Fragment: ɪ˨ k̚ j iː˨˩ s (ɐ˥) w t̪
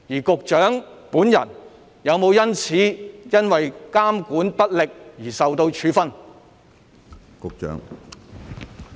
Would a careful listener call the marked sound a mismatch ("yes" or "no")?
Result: yes